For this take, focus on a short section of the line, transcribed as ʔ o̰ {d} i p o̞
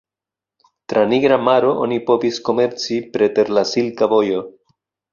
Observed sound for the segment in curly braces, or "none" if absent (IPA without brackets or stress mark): n